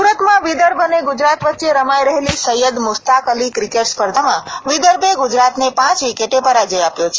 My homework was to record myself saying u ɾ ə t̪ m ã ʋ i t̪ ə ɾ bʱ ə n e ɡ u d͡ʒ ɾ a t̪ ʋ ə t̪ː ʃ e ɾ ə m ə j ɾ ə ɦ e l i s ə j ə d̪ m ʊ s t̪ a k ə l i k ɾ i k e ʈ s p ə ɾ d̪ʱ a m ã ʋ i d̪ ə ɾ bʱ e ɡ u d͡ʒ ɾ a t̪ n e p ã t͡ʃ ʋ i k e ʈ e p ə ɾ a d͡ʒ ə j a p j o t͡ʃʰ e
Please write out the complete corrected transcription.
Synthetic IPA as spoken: u ɾ ə t̪ m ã ʋ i d̪ ə ɾ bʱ ə n e ɡ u d͡ʒ ɾ a t̪ ʋ ə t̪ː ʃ e ɾ ə m a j ɾ ə ɦ e l i s ə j ə d̪ m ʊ s t̪ a k ə l i k ɾ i k e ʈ s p ə ɾ d̪ʱ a m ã ʋ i d̪ ə ɾ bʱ e ɡ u d͡ʒ ɾ a t̪ n e p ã t͡ʃ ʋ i k e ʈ e p ə ɾ a d͡ʒ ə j a p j o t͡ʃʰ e